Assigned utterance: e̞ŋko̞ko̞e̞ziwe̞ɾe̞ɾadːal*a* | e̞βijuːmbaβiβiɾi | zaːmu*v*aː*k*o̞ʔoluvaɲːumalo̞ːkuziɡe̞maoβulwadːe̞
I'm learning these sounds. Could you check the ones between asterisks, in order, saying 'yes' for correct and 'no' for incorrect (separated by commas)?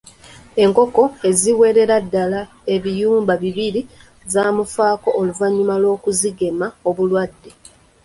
yes, no, yes